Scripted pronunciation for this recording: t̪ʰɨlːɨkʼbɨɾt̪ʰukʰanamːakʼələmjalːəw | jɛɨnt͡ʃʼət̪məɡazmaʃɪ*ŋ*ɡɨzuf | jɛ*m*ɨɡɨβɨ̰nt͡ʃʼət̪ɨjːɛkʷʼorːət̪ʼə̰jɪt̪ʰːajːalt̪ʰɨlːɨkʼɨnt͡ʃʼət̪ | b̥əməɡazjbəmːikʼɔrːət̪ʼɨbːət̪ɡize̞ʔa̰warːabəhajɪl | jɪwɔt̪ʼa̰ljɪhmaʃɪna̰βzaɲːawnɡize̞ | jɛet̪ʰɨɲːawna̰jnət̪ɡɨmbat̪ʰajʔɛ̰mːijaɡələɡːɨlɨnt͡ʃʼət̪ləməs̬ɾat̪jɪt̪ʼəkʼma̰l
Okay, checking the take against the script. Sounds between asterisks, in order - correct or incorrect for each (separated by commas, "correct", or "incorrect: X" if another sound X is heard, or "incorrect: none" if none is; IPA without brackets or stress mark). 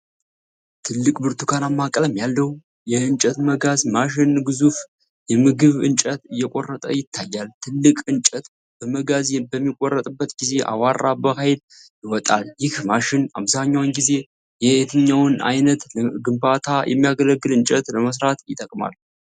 incorrect: n, correct